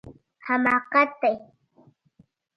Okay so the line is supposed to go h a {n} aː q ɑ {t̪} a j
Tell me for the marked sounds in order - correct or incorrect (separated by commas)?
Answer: incorrect, correct